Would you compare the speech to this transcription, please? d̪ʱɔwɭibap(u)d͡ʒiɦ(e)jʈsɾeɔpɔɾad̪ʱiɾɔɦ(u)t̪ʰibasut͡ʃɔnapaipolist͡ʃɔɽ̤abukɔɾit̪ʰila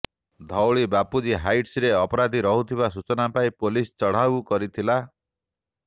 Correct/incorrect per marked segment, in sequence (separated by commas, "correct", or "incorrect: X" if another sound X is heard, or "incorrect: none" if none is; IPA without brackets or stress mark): correct, incorrect: a, correct